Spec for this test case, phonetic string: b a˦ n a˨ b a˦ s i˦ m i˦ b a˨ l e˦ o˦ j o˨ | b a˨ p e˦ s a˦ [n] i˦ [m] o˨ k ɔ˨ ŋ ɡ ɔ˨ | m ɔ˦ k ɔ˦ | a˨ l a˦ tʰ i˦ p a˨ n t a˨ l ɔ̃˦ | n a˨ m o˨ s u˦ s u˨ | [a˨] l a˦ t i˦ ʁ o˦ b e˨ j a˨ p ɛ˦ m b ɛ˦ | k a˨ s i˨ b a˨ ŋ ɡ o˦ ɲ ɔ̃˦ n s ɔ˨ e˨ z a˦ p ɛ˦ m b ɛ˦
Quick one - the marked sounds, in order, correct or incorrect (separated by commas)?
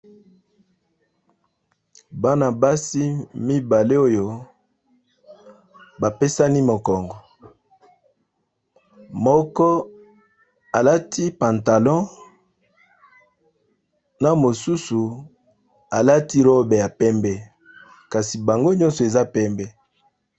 correct, correct, correct